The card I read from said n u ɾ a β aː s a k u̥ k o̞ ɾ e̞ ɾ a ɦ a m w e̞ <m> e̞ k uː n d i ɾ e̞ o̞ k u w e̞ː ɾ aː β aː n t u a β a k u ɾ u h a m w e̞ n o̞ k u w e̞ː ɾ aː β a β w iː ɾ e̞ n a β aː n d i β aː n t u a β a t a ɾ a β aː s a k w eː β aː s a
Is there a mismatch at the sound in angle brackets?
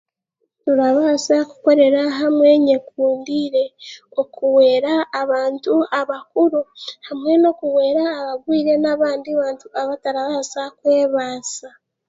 yes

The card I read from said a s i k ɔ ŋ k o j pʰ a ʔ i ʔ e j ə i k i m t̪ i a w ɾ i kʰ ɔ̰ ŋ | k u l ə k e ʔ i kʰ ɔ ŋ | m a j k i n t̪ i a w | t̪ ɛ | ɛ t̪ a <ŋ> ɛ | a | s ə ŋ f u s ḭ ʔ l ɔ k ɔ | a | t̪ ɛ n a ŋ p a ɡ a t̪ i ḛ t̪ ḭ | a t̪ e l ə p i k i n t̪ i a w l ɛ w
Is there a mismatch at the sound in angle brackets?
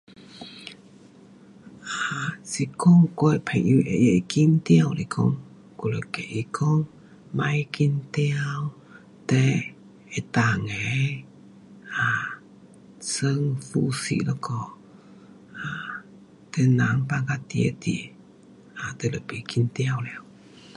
no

